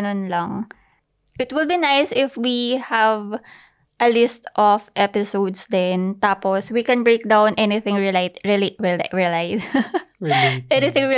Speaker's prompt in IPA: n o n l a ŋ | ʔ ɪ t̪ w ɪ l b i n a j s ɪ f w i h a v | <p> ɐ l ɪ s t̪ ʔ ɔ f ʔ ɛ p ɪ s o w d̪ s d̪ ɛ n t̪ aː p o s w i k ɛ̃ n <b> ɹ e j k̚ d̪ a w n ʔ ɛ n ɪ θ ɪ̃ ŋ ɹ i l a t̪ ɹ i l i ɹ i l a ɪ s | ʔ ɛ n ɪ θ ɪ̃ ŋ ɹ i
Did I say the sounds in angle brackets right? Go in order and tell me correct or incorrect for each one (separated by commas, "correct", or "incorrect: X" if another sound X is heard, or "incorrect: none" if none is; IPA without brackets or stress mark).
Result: incorrect: ʔ, correct